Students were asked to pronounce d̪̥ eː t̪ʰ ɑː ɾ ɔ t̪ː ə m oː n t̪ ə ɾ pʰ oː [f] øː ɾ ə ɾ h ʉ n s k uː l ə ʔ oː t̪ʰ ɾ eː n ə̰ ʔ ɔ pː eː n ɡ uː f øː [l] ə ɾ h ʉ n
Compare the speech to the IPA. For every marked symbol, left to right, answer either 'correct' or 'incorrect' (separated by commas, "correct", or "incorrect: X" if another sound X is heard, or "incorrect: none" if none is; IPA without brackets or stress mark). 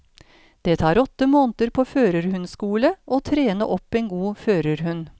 correct, incorrect: ɾ